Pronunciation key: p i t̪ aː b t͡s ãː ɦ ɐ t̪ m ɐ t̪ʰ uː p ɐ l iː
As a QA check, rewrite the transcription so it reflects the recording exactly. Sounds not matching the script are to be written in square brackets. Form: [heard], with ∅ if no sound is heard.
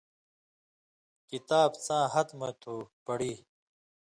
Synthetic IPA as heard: [k] i t̪ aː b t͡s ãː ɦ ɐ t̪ m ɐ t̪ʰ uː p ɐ [ɽ] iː